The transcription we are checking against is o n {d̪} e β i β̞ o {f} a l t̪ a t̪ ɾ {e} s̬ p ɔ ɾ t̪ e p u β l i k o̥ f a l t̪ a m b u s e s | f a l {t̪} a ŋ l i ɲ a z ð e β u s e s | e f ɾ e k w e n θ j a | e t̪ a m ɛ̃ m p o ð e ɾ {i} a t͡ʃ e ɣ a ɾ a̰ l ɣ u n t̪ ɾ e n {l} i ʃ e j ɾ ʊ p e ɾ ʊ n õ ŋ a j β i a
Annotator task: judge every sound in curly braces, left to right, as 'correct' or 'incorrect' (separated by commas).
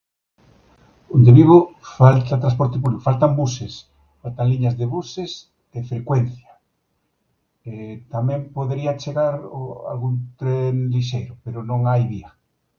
correct, correct, incorrect, correct, correct, correct